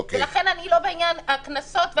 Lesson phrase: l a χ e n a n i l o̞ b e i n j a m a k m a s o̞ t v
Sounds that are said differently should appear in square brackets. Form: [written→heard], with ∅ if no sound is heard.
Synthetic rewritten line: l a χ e n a n i l o̞ b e i n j a [m→n] a k [m→n] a s o̞ t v